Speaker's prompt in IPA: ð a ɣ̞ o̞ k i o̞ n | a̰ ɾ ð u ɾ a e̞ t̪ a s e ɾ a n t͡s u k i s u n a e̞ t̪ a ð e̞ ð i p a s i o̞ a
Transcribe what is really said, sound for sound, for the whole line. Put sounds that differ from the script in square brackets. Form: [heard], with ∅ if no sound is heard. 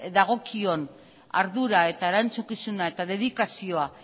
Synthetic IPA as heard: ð a ɣ̞ o̞ k i o̞ n | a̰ ɾ ð u ɾ a e̞ t̪ a [∅] e ɾ a n t͡s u k i s u n a e̞ t̪ a ð e̞ ð i [k] a s i o̞ a